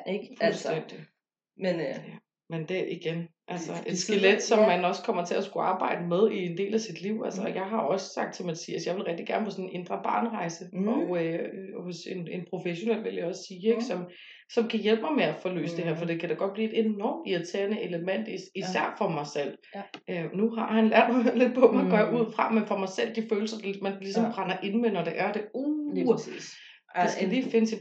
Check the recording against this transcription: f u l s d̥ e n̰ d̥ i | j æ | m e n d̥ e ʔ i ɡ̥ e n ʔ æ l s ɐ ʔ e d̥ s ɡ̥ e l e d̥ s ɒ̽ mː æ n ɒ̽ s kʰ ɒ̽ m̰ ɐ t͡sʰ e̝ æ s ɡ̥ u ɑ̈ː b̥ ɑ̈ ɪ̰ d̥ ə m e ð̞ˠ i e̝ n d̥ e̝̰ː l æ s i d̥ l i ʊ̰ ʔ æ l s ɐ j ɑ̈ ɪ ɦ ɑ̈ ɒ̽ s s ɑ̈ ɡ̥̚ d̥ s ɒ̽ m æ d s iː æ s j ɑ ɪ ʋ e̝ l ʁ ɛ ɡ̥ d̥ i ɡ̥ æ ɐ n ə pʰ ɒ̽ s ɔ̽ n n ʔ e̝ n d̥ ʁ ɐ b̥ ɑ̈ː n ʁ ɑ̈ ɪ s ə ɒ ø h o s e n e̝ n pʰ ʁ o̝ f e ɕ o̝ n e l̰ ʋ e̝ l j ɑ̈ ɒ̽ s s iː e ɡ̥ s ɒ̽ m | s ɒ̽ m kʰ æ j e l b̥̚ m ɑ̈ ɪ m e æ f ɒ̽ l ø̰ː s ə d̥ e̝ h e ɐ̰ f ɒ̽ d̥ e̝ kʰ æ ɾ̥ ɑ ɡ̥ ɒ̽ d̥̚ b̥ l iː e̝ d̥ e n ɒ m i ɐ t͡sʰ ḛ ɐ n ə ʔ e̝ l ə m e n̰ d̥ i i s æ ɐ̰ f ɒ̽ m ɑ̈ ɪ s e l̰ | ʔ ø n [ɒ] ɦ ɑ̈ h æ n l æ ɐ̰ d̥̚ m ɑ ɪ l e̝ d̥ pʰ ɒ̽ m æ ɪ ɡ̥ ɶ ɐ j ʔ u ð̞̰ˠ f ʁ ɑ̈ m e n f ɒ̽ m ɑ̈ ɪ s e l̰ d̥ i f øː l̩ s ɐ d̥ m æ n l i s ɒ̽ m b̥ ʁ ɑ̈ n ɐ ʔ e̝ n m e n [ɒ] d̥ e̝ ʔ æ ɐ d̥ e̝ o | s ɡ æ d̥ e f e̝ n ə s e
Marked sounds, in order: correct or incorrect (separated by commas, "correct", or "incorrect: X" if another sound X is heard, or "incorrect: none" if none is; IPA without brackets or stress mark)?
incorrect: u, correct